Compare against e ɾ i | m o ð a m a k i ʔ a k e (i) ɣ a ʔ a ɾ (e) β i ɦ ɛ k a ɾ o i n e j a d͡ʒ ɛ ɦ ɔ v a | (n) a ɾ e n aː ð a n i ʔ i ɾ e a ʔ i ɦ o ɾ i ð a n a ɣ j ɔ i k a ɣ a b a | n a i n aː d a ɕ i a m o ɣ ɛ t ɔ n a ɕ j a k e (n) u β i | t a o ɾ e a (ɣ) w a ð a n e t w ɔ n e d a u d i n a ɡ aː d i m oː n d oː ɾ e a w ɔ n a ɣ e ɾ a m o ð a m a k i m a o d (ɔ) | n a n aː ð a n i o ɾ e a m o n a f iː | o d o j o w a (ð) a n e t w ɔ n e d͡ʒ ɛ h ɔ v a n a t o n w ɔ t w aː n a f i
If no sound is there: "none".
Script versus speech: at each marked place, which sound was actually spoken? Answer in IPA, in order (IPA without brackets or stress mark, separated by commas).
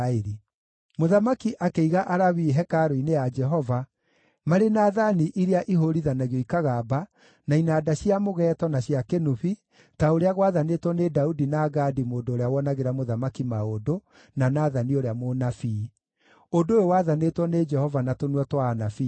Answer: i, a, m, n, ɣ, o, ð